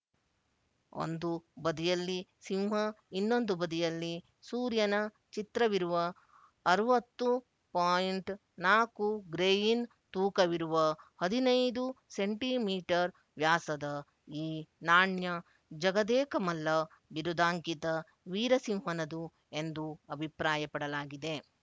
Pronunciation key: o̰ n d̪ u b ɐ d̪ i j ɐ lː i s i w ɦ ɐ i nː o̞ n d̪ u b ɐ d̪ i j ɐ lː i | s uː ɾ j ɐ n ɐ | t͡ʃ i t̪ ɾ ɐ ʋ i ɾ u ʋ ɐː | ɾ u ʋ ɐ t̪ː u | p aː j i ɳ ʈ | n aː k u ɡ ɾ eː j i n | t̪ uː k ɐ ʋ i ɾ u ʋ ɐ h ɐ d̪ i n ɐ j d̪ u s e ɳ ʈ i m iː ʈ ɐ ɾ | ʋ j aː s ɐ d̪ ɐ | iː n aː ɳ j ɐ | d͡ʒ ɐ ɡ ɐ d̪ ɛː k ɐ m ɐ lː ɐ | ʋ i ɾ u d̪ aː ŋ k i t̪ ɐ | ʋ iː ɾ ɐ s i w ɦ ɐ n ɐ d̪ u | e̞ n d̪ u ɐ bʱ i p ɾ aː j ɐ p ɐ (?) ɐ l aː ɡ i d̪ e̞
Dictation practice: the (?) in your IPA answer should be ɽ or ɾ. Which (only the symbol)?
ɽ